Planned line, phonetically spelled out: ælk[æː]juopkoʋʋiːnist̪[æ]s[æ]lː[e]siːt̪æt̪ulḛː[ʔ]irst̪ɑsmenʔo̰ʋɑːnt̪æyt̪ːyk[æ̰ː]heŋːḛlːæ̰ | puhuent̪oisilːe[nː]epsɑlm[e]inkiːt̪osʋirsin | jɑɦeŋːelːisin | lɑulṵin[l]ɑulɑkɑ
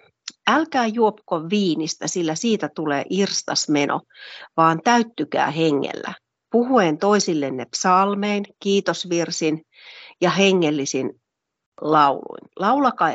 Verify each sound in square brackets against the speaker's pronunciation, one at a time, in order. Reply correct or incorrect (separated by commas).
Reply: correct, correct, incorrect, incorrect, correct, correct, correct, correct, correct